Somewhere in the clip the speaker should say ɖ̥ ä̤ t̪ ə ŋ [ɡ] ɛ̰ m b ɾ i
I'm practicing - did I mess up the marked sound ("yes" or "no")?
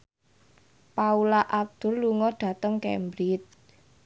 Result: yes